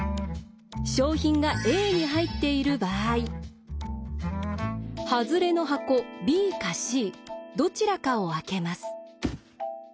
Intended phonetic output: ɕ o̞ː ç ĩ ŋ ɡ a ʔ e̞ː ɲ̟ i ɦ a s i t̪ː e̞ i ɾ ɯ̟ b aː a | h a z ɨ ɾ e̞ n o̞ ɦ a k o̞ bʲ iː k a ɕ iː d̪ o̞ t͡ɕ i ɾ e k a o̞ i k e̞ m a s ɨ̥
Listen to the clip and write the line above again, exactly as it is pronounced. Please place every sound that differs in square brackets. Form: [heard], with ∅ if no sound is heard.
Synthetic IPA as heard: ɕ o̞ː ç ĩ ŋ ɡ a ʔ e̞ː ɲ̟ i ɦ a [∅] i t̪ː e̞ i ɾ ɯ̟ b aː [i] | h a z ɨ ɾ e̞ n o̞ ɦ a k o̞ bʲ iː k a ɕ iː d̪ o̞ t͡ɕ i ɾ [a] k a o̞ [a] k e̞ m a s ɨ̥

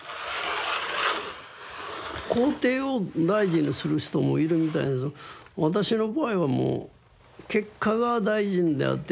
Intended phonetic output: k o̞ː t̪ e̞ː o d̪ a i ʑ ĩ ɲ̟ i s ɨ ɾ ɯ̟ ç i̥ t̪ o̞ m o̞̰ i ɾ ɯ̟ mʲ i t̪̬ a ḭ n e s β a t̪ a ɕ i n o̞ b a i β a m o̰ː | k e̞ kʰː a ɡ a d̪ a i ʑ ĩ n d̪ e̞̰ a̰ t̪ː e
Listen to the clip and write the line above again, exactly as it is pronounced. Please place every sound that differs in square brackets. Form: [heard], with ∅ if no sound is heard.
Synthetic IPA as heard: k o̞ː t̪ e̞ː o d̪ a i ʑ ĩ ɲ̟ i s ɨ ɾ ɯ̟ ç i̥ t̪ o̞ m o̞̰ i ɾ ɯ̟ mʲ i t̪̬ a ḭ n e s β a t̪ a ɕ i n o̞ b a i β a m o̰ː | k e̞ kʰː a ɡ a d̪ a i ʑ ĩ n d̪ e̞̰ a̰ t̪ː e

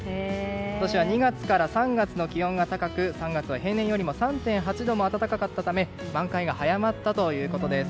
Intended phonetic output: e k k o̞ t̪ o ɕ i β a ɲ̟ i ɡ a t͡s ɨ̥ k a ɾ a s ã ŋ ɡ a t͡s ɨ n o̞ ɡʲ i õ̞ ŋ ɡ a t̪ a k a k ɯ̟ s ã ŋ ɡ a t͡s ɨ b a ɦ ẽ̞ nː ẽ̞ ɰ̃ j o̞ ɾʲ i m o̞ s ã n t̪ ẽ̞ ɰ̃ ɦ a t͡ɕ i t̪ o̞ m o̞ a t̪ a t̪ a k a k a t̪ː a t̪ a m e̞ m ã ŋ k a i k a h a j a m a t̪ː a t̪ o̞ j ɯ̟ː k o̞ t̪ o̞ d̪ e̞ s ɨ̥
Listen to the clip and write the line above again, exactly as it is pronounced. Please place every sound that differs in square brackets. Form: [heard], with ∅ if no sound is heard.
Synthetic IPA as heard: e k k o̞ t̪ o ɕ i β a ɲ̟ i ɡ a t͡s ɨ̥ k a ɾ a s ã ŋ ɡ a t͡s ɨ n o̞ [kʲ] i õ̞ ŋ ɡ a t̪ a k a k ɯ̟ s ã ŋ ɡ a t͡s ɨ [β] a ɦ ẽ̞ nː ẽ̞ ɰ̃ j o̞ ɾʲ i m o̞ s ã n t̪ ẽ̞ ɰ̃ ɦ a t͡ɕ i [d̪] o̞ m o̞ a t̪ a t̪ a k a k a t̪ː a t̪ a m e̞ m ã ŋ k a i [ɡ] a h a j a m a t̪ː a t̪ o̞ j ɯ̟ː k o̞ t̪ o̞ d̪ e̞ s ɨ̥

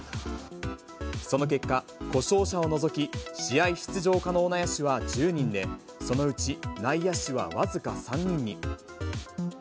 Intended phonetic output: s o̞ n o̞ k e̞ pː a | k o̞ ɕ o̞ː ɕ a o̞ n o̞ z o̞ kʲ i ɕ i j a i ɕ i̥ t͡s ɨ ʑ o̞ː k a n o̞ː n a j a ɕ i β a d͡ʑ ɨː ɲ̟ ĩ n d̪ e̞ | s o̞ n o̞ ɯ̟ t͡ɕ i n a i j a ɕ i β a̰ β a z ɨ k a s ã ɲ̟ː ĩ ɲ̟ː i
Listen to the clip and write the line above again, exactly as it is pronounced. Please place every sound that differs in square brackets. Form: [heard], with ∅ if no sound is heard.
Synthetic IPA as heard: s o̞ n o̞ k e̞ [kː] a | k o̞ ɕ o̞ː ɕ a o̞ n o̞ z o̞ kʲ i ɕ i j a i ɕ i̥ t͡s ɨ ʑ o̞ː k a n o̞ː n a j a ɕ i β a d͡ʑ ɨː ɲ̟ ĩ n d̪ e̞ | s o̞ n o̞ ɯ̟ t͡ɕ i n a i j a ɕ i β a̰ β a z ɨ k a s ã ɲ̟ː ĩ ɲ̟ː i

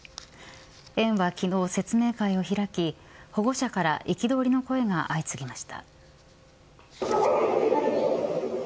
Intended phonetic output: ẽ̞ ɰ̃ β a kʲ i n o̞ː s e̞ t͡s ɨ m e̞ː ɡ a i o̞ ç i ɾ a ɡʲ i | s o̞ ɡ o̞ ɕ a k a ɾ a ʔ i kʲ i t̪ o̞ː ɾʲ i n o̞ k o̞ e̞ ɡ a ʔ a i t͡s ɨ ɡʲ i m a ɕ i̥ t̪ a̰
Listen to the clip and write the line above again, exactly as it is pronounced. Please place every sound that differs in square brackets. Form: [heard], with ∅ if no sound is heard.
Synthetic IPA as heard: ẽ̞ ɰ̃ β a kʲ i n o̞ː s e̞ t͡s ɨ m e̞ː [k] a i o̞ ç i ɾ a [kʲ] i | [h] o̞ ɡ o̞ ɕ a k a ɾ a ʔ i kʲ i [d̪] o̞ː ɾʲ i n o̞ k o̞ e̞ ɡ a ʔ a i t͡s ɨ ɡʲ i m a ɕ i̥ t̪ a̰

